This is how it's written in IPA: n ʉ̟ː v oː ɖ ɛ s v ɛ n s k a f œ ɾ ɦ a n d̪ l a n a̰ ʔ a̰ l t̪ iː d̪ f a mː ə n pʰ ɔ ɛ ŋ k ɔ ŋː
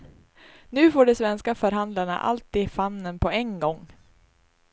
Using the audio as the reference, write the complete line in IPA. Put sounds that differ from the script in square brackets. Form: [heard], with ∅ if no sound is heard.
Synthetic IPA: n ʉ̟ː [f] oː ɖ ɛ s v ɛ n s k a f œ ɾ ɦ a n d̪ l a [ɳ] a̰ ʔ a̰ l t̪ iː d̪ f a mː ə n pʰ ɔ ɛ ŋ [ɡ] ɔ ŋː